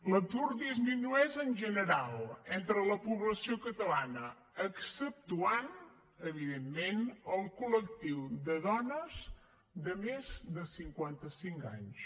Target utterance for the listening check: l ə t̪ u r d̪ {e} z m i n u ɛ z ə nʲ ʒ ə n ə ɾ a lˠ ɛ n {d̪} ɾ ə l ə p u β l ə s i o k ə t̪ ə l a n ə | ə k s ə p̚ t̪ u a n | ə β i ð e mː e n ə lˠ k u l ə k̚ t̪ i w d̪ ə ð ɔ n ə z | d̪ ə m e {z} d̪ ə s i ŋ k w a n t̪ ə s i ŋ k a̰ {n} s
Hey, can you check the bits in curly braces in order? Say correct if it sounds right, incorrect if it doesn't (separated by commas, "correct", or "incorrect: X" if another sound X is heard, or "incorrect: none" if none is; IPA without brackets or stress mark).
incorrect: i, incorrect: t̪, correct, incorrect: ɲ